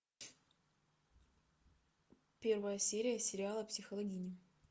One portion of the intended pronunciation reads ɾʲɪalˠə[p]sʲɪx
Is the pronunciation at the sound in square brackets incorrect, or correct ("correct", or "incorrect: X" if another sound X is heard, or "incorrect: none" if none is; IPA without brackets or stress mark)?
correct